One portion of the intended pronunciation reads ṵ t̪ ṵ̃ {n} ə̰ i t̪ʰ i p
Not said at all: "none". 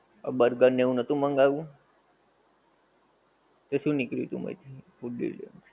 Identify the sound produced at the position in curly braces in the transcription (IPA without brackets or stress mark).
m